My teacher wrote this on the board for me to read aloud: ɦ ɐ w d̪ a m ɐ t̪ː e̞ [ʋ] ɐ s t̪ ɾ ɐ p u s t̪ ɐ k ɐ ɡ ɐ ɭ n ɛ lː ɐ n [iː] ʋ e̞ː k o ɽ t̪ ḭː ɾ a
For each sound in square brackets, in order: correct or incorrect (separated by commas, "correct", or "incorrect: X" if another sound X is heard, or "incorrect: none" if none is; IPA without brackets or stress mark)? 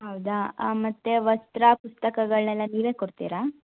correct, correct